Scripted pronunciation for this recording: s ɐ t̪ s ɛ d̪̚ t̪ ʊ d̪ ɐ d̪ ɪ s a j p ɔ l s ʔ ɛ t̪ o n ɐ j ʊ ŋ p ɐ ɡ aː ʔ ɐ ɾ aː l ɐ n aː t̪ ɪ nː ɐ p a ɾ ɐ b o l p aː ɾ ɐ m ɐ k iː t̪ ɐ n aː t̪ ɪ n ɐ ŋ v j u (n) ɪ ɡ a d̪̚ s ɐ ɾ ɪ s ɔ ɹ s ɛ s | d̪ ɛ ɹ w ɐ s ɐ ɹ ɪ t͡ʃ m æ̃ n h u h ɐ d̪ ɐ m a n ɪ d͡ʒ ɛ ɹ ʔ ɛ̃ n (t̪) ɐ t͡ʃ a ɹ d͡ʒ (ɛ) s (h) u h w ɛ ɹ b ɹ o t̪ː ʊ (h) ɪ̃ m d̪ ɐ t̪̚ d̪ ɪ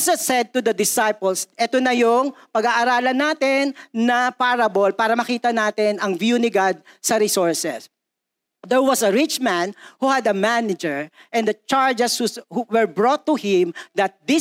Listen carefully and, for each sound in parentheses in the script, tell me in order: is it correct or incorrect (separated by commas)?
correct, incorrect, correct, correct, correct